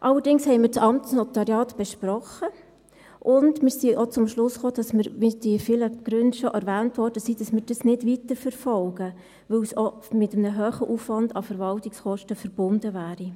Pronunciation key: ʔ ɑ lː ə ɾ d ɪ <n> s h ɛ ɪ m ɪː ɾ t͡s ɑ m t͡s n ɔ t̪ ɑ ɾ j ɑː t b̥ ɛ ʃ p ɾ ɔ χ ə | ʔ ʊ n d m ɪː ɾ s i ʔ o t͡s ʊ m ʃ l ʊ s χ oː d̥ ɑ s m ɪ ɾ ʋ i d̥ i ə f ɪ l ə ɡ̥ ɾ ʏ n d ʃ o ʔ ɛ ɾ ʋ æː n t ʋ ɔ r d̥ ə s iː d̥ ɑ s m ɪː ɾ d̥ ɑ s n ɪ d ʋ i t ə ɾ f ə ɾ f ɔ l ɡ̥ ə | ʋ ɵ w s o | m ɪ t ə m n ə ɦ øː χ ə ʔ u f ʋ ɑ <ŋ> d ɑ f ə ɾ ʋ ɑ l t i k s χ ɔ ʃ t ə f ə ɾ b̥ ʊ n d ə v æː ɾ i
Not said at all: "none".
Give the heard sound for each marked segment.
ŋ, n

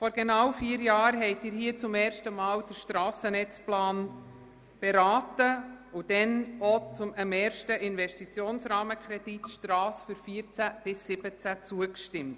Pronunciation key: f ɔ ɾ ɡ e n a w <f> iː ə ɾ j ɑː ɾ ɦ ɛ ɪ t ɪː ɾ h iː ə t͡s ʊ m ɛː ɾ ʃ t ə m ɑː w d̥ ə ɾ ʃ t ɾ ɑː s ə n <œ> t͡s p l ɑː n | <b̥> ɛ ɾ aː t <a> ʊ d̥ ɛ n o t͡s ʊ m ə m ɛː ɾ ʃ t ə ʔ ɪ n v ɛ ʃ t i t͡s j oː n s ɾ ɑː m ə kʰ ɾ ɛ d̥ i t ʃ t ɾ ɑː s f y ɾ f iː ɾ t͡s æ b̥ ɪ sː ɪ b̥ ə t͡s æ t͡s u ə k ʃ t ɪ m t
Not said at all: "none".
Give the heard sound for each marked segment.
f, ɛ, b̥, ə

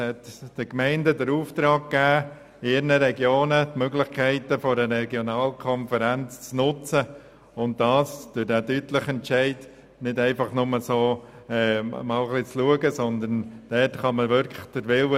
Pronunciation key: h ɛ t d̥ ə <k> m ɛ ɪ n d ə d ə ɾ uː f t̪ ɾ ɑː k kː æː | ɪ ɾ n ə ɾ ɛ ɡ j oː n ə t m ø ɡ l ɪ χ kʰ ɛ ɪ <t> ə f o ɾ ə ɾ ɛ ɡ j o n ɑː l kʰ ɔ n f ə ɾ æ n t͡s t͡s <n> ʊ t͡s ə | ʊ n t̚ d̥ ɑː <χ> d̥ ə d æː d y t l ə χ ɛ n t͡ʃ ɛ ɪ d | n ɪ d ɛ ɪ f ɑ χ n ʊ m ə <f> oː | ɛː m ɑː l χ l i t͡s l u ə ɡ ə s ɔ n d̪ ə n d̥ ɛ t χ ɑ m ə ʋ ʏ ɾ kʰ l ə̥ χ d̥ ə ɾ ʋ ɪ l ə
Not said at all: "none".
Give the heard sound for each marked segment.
k, t, n, s, s

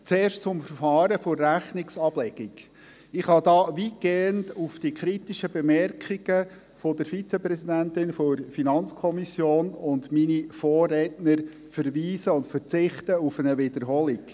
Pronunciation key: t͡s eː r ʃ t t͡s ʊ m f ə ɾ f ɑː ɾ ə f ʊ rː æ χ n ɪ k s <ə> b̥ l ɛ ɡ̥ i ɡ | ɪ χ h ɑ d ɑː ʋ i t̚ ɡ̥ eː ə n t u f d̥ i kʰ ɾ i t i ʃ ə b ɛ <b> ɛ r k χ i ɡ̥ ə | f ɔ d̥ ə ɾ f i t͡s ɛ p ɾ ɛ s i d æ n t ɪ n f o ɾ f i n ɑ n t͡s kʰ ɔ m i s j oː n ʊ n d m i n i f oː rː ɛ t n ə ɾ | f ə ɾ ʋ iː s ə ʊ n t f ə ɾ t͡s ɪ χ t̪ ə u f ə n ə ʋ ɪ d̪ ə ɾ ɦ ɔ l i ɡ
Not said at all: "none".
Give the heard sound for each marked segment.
ɑ, m

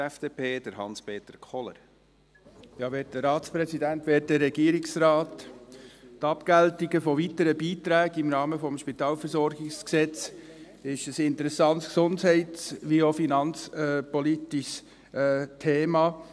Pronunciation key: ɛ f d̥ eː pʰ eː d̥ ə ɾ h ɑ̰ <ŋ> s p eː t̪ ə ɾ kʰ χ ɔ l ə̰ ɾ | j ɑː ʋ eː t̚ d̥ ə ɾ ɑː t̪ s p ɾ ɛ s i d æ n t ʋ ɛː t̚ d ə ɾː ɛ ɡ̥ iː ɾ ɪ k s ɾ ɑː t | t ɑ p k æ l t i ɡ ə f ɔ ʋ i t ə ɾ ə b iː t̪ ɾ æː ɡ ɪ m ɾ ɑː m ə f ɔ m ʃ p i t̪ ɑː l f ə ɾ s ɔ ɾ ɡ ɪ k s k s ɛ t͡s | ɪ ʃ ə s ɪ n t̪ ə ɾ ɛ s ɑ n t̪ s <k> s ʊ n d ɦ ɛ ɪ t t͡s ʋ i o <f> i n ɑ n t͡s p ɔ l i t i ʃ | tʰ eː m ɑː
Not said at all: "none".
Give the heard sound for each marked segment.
n, k, f

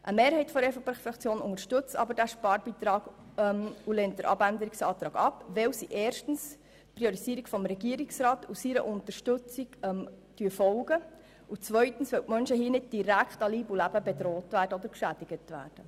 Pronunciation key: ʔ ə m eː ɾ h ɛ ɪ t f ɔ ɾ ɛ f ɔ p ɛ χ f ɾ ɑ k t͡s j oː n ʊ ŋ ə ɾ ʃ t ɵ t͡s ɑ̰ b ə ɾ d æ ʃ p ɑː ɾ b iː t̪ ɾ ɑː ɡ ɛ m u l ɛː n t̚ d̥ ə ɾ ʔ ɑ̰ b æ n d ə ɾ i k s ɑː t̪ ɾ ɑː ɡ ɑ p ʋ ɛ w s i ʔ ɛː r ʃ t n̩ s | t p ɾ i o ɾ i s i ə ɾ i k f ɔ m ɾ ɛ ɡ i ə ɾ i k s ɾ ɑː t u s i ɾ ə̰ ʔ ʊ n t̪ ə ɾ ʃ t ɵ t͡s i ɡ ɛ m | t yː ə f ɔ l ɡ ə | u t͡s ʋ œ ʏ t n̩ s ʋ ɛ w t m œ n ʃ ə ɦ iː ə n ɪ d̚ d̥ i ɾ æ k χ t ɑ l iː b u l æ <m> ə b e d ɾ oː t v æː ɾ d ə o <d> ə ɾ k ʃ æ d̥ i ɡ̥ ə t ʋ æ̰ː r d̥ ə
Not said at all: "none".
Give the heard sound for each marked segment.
b, d

